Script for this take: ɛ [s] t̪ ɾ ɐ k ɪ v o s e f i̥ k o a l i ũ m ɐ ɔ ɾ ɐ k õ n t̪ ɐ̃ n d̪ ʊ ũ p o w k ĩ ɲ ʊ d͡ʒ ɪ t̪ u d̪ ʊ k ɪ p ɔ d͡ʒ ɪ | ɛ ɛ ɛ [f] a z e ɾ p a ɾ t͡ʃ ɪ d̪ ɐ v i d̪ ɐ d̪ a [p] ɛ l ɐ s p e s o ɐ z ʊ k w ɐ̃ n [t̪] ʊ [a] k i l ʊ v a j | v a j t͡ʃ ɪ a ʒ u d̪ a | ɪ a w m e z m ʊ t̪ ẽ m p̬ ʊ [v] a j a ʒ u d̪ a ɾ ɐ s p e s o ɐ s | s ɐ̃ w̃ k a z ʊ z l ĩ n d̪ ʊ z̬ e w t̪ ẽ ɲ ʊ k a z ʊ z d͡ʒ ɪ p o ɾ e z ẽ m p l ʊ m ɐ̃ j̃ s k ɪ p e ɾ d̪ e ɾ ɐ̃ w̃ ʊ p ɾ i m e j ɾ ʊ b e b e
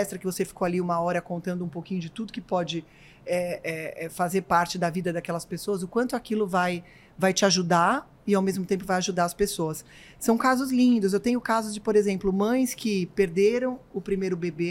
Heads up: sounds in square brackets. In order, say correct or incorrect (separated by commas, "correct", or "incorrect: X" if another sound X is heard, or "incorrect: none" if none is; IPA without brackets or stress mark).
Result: correct, correct, incorrect: k, correct, correct, correct